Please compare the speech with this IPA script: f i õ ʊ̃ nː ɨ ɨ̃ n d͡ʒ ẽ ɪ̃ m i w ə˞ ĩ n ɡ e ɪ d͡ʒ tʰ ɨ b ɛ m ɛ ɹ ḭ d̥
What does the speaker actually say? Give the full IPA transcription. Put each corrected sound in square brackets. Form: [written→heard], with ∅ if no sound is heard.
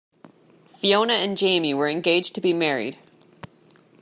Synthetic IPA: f i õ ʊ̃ [nː→n] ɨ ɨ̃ n d͡ʒ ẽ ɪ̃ m i w ə˞ [ĩ→ɨ̃] n ɡ e ɪ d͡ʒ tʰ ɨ b [ɛ→i] m ɛ ɹ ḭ d̥